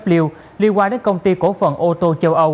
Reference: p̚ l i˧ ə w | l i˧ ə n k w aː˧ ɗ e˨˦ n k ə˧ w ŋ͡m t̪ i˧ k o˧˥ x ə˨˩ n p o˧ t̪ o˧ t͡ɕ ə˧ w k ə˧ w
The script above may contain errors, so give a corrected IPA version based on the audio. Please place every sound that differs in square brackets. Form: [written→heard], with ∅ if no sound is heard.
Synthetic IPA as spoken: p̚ l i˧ ə w | l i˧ ə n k w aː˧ ɗ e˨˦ n k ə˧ w ŋ͡m t̪ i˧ k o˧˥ [x→f] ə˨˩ n [p→ʔ] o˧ t̪ o˧ t͡ɕ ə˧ w [k→ʔ] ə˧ w